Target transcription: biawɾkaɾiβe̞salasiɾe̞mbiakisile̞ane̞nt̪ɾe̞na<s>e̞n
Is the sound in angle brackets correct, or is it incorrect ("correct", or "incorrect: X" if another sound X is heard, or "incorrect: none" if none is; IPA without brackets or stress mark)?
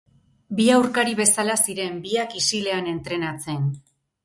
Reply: incorrect: t͡s